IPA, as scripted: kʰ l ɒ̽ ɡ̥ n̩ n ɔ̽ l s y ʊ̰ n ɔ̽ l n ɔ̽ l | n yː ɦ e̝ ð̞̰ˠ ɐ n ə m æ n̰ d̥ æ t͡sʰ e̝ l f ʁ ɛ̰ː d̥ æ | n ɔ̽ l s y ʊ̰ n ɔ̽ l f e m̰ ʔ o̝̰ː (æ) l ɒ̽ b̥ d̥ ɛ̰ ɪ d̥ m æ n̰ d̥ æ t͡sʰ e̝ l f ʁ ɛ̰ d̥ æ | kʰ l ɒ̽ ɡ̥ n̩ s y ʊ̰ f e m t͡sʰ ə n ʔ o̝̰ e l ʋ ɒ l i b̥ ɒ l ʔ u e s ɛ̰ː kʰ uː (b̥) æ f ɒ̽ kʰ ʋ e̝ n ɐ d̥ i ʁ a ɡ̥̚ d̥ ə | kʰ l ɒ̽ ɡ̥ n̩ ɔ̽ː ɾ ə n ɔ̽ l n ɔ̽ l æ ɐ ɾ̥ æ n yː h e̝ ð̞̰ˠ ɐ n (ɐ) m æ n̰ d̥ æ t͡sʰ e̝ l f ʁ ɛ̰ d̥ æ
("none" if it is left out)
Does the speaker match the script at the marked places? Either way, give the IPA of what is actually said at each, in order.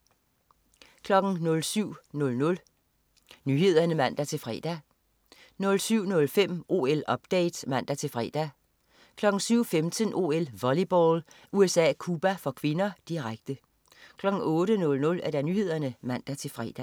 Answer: e, b̥, ə

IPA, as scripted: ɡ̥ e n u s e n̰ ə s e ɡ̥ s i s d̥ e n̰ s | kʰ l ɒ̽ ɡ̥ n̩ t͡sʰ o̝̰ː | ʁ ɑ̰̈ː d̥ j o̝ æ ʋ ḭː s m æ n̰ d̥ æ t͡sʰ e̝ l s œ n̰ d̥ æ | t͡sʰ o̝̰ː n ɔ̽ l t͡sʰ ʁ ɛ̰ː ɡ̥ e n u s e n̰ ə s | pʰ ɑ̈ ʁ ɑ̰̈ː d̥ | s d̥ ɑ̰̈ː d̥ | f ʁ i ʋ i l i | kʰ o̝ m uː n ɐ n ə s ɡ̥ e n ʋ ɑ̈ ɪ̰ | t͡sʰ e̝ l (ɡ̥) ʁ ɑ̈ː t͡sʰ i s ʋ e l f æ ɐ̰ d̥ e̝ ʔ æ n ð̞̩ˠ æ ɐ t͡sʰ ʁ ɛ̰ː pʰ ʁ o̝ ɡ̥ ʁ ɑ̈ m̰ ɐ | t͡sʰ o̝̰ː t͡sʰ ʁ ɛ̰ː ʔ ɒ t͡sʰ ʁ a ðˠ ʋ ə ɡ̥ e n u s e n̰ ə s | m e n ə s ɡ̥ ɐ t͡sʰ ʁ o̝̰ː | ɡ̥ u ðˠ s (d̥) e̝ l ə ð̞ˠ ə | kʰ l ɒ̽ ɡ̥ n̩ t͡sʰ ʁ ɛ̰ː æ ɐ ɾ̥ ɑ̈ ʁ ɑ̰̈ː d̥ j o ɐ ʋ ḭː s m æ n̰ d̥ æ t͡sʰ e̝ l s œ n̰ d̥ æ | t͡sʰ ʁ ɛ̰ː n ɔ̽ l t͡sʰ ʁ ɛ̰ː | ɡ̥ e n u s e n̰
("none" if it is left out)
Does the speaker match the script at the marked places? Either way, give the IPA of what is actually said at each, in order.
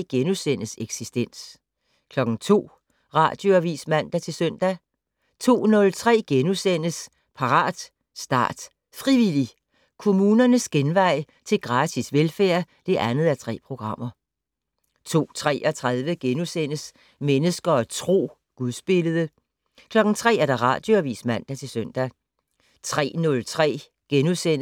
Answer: ɡ̥, b̥

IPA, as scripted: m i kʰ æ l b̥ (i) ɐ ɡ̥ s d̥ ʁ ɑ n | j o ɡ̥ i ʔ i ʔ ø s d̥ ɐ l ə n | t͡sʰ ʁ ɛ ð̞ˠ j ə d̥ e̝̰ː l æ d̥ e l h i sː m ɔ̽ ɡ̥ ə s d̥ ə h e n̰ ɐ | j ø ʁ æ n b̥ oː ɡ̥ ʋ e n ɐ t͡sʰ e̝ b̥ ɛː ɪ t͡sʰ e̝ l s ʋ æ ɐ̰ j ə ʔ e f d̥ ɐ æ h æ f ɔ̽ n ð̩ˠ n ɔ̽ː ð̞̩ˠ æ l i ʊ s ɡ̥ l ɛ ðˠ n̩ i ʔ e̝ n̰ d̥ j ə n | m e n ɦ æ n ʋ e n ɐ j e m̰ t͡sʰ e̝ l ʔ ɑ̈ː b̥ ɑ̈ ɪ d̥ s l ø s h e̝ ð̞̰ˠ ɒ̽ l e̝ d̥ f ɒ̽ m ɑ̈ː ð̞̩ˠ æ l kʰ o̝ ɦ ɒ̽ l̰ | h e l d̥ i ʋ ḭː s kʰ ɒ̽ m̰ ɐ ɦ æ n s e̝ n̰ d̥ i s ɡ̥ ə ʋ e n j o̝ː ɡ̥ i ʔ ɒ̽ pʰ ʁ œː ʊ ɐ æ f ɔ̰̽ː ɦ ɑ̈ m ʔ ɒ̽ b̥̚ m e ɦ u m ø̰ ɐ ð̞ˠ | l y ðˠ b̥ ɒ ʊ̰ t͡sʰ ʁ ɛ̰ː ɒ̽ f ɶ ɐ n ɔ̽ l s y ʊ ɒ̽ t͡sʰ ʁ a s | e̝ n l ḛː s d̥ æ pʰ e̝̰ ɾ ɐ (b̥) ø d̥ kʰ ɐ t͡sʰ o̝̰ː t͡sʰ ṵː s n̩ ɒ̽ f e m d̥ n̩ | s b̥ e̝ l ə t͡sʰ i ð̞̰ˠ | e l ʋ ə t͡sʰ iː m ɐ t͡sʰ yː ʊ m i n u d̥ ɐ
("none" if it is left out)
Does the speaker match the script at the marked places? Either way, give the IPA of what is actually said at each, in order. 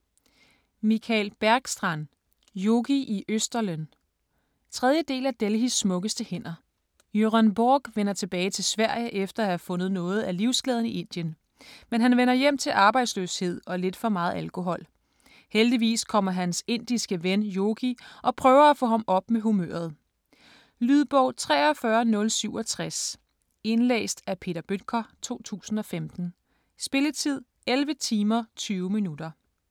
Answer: æ, b̥

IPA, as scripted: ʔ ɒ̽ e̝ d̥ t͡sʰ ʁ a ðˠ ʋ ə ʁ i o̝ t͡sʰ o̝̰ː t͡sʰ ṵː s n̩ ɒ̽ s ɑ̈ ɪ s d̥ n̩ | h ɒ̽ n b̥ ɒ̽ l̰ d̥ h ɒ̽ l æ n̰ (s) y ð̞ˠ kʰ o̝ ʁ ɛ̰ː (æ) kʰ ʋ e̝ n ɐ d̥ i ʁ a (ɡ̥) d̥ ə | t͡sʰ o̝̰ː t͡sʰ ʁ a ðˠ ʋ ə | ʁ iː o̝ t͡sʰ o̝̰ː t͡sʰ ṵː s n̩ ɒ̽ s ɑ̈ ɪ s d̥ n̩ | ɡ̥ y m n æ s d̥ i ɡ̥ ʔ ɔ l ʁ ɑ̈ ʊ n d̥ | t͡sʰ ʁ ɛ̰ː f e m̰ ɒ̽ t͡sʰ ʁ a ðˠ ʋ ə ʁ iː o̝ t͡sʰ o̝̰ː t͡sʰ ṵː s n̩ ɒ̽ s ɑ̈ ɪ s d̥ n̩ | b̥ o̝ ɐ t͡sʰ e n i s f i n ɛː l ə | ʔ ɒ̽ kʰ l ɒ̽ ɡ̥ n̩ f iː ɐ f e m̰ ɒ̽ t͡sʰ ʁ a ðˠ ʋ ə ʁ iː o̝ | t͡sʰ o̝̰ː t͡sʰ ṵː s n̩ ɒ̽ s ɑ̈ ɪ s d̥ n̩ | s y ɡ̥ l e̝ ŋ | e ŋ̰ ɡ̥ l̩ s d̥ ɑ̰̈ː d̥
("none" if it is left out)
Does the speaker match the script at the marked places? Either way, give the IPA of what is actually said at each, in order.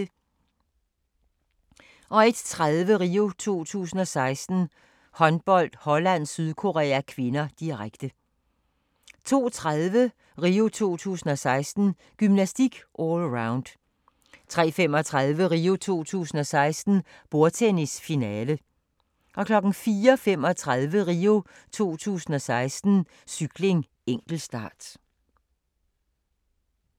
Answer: s, æ, ɡ̥

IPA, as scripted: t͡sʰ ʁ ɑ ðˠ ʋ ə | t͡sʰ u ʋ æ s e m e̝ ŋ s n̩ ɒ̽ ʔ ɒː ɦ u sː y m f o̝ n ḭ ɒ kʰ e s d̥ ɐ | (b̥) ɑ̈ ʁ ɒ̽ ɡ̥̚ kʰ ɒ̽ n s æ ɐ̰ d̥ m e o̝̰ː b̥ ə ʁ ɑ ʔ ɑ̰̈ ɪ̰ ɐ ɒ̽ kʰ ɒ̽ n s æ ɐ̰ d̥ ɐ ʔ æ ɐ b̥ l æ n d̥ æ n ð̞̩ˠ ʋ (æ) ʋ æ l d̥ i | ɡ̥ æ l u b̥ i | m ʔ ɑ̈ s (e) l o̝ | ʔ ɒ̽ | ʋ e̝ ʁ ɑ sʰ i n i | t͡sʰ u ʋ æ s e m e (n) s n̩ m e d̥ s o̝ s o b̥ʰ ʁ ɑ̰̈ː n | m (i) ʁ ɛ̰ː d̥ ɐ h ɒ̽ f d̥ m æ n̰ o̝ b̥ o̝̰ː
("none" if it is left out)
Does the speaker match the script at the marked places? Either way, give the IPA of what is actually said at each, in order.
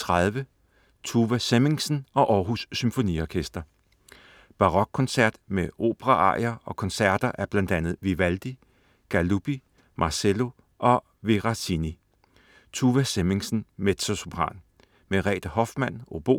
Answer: b̥, i, e, ŋ, e

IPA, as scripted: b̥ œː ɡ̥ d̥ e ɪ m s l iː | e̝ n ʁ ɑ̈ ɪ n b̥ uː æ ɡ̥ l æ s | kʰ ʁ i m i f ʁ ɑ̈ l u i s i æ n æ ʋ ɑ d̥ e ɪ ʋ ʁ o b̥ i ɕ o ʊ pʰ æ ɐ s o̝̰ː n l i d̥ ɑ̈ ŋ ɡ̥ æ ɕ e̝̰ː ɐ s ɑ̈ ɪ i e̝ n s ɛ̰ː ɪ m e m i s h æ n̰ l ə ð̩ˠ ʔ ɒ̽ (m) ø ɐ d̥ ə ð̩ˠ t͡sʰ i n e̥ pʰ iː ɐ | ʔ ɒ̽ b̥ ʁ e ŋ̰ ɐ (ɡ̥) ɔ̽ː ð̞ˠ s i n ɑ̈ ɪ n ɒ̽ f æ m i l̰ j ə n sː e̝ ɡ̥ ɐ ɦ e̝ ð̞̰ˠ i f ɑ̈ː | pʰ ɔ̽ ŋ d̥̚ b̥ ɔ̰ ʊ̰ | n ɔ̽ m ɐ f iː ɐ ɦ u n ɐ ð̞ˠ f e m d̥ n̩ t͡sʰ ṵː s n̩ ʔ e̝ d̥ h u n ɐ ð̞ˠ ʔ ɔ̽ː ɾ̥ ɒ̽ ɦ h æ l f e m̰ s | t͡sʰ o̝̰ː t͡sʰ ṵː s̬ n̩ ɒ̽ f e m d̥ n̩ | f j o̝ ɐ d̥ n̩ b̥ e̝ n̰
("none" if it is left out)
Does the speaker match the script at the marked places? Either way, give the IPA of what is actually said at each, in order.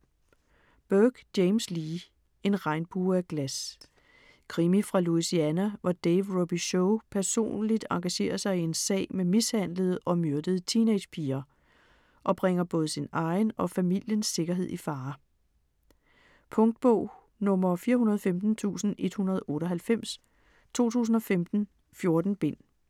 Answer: m, b̥

